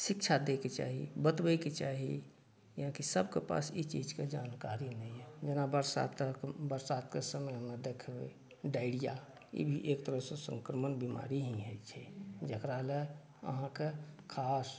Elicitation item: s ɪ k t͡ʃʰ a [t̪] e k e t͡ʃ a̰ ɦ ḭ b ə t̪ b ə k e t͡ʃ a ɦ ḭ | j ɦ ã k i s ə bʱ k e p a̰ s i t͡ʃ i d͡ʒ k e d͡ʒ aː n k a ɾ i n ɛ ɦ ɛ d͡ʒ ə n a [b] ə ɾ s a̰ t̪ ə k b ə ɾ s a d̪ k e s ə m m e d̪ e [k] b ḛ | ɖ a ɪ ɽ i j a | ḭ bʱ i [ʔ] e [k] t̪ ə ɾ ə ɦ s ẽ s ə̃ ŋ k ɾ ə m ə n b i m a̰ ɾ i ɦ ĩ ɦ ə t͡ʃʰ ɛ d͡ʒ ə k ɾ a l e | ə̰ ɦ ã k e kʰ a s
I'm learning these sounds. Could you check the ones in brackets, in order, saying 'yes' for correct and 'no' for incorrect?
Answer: no, yes, no, yes, yes

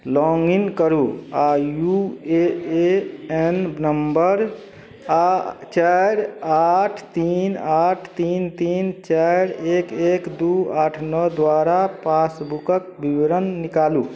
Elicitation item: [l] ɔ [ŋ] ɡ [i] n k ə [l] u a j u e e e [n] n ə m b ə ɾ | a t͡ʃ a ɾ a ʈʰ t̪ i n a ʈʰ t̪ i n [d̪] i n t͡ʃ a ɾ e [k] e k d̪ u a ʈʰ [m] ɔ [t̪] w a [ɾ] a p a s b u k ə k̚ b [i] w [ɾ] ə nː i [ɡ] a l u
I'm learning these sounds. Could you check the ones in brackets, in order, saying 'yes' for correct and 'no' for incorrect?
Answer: yes, yes, yes, no, yes, no, yes, no, no, yes, yes, yes, no

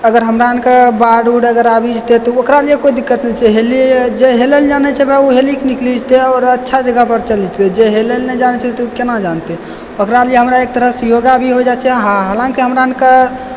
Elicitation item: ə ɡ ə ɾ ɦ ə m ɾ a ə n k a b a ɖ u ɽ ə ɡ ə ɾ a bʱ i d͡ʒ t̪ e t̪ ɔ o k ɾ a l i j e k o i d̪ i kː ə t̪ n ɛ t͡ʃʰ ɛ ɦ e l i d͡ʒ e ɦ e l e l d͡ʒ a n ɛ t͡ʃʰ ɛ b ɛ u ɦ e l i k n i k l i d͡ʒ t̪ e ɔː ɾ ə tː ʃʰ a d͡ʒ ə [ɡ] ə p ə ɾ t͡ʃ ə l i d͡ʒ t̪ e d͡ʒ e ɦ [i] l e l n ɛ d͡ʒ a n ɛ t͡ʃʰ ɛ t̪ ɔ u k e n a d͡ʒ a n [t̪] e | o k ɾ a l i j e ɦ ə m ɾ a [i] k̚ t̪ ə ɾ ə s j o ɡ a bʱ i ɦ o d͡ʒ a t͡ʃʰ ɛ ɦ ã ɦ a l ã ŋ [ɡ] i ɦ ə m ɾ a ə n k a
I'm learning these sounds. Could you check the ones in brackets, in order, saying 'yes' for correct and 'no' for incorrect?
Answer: yes, no, yes, no, no

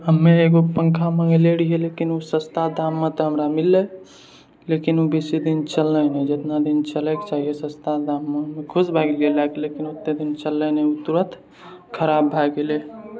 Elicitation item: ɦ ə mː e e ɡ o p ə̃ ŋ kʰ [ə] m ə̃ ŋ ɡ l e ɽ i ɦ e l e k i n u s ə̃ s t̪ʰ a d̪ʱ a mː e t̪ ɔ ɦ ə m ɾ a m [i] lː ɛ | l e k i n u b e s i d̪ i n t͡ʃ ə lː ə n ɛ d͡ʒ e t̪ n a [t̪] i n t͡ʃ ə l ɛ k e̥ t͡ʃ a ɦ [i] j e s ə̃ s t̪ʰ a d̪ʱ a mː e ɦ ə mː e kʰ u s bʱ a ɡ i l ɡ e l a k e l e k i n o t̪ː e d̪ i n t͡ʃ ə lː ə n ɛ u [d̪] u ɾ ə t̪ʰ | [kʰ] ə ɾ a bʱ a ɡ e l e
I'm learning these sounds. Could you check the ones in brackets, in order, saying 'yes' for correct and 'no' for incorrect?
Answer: no, yes, no, yes, no, yes

